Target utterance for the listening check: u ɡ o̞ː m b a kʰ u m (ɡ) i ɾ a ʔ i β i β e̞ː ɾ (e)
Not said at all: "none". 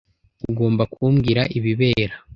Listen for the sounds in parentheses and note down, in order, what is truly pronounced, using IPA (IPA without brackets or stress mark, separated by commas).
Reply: ɡ, a